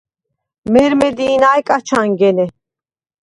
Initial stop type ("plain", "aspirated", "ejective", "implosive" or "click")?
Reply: plain